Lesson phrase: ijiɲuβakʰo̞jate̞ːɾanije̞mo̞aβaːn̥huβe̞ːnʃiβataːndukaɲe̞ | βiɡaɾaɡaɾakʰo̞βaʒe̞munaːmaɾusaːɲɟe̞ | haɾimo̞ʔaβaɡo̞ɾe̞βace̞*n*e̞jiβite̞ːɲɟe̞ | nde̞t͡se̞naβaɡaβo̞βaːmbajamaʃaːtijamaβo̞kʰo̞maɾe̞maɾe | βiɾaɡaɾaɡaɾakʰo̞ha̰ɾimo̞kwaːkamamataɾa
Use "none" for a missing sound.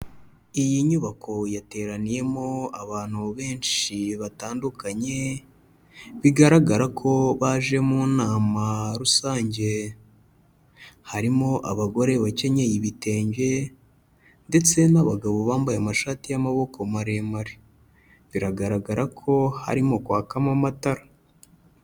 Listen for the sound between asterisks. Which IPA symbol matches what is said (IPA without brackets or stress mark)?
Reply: ɲ